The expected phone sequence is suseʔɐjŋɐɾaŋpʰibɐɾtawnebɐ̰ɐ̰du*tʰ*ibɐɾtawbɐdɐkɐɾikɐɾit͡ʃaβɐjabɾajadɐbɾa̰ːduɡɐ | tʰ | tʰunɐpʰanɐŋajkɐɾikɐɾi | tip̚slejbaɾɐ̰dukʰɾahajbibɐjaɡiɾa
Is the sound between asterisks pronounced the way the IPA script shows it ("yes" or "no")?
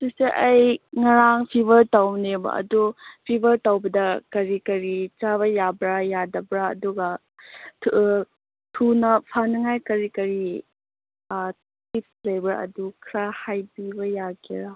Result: no